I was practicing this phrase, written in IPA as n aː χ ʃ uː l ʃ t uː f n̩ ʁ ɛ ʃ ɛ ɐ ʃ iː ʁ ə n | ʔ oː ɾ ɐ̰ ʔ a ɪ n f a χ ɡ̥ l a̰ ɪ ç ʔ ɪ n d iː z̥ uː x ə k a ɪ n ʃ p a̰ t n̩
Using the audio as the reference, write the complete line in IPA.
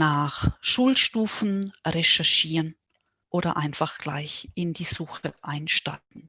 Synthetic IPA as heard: n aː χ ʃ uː l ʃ t uː f n̩ ʁ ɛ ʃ ɛ ɐ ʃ iː ʁ ə n | ʔ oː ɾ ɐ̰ ʔ a ɪ n f a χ ɡ̥ l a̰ ɪ ç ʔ ɪ n d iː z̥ uː x ə ʔ a ɪ n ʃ t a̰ t n̩